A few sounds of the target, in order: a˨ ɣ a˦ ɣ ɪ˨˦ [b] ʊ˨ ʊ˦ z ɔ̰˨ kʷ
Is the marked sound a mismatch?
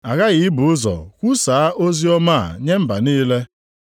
no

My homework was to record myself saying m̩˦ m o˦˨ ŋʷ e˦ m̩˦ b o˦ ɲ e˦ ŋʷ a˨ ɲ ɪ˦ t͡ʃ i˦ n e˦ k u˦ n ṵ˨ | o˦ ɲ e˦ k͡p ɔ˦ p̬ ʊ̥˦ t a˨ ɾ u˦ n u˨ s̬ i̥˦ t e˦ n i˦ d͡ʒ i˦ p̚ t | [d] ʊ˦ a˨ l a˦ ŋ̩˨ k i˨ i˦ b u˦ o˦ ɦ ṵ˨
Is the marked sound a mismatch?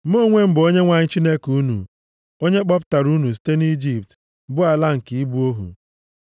yes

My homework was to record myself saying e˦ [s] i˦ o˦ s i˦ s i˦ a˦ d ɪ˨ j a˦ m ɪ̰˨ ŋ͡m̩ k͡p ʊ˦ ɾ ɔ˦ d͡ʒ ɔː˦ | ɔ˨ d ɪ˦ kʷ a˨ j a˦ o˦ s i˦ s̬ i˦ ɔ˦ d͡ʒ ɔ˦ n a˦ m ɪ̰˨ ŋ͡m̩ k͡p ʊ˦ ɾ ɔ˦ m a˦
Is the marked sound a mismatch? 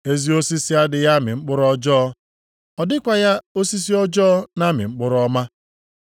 yes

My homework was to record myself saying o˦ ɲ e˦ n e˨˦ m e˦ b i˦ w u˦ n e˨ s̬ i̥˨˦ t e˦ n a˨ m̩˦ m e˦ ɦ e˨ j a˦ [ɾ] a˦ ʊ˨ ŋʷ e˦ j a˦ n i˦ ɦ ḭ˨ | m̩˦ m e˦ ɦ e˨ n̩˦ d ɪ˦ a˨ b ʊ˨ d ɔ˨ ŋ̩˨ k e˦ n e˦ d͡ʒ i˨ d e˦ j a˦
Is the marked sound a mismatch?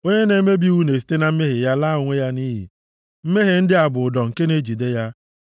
yes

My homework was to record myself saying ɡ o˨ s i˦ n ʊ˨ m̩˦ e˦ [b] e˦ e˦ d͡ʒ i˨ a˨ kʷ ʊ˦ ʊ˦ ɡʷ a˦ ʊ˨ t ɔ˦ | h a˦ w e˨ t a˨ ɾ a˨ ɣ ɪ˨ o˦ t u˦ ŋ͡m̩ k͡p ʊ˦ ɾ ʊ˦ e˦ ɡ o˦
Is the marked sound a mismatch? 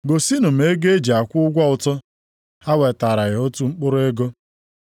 yes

